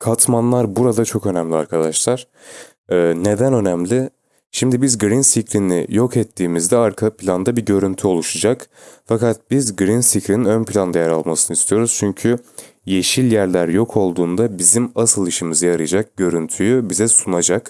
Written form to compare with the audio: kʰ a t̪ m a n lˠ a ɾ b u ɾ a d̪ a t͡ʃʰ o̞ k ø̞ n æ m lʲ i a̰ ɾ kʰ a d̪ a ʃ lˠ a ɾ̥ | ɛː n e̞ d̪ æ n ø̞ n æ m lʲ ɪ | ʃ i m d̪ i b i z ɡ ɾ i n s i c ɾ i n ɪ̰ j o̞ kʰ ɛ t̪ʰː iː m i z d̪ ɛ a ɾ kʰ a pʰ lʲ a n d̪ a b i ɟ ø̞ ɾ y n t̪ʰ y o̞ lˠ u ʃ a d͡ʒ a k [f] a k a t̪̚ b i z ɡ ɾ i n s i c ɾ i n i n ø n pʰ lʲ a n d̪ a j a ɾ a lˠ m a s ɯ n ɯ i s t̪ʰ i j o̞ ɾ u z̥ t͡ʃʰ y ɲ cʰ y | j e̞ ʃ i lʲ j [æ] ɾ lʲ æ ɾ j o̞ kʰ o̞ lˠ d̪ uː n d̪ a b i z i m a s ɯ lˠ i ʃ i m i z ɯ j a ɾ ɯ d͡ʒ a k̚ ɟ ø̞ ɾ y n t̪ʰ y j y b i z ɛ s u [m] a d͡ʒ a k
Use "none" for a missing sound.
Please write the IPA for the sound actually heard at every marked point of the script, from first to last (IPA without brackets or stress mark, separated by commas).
f, æ, n